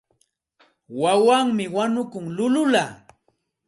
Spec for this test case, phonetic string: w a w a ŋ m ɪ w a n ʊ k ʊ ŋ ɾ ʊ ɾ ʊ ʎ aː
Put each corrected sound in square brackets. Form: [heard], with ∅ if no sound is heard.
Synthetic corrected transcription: w a w a ŋ m ɪ w a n ʊ k ʊ ŋ [l] ʊ [l] ʊ [l] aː